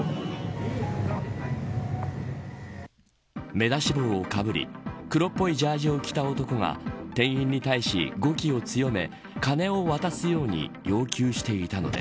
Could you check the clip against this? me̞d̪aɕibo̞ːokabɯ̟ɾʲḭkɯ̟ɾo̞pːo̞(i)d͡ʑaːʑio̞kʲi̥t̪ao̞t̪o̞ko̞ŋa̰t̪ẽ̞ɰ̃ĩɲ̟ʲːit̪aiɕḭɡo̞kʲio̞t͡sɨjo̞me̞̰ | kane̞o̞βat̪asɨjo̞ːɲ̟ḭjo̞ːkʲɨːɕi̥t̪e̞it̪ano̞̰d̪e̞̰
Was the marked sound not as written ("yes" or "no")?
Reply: no